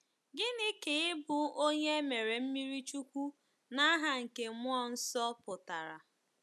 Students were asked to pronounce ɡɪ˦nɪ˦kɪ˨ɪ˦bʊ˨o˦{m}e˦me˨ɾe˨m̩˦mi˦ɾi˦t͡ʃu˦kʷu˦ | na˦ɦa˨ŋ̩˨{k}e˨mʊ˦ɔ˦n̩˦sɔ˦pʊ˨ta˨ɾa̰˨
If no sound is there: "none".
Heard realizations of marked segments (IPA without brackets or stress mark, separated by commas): ɲ, k